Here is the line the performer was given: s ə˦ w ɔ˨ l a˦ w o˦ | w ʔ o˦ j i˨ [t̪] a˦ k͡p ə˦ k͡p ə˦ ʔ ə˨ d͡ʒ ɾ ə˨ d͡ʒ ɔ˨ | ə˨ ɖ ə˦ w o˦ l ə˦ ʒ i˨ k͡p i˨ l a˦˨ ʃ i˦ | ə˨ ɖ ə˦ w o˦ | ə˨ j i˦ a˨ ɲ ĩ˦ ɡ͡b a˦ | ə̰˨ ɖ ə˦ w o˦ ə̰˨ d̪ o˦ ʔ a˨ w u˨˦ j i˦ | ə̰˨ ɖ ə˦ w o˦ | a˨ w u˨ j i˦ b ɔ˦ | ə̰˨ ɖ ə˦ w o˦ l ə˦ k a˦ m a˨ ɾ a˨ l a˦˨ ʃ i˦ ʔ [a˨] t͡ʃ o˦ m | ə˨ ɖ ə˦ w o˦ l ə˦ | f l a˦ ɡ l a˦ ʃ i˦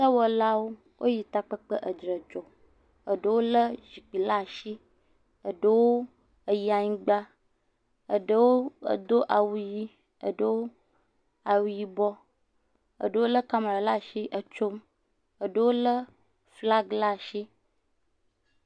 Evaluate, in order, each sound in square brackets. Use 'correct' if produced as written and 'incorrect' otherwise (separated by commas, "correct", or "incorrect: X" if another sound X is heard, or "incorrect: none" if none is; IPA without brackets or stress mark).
correct, incorrect: ə˨